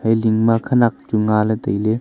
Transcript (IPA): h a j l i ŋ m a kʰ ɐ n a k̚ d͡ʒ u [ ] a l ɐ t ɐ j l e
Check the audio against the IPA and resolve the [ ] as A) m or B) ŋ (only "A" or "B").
B